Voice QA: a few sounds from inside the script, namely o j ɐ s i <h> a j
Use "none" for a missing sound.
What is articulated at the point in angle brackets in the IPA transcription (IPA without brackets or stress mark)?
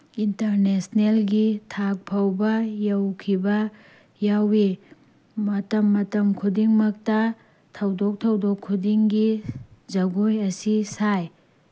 s